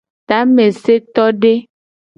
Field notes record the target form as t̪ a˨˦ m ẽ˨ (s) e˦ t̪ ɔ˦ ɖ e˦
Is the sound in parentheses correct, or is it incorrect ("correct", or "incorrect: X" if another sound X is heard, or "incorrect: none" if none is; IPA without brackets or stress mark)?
correct